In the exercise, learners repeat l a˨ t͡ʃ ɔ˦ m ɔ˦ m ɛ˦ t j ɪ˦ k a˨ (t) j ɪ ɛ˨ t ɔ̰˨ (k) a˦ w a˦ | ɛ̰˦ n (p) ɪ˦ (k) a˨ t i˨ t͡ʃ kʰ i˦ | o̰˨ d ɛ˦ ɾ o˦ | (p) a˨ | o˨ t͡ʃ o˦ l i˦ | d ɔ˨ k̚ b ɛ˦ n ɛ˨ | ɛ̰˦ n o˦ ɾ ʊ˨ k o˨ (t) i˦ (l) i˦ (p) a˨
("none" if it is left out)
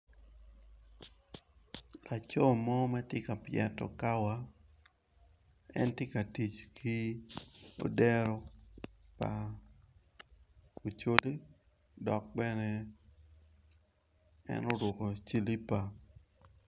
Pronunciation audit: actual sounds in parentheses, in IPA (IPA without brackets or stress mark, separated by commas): p, k, t, k, p, t͡ʃ, l, p